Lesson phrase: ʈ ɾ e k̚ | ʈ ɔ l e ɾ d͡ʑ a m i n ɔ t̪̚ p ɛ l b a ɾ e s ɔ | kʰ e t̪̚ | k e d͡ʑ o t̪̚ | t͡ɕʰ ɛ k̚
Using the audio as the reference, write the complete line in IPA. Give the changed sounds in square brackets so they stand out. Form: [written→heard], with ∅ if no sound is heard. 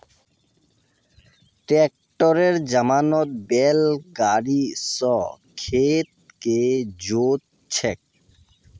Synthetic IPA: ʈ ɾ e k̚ | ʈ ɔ [l→ɾ] e ɾ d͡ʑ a m [i→a] n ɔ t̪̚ [p→b] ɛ l [b→ɡ] a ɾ [e→i] s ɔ | kʰ e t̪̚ | k e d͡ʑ o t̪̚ | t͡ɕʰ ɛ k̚